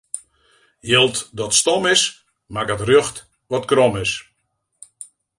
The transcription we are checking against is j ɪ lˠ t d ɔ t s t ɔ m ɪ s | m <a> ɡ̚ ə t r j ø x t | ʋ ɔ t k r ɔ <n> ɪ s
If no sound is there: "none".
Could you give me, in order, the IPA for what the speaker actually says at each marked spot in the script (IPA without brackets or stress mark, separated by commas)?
a, m